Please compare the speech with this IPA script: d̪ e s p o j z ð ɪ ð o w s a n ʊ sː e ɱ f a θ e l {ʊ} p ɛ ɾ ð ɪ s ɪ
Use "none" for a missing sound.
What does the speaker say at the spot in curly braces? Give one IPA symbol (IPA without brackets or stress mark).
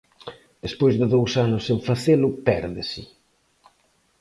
ʊ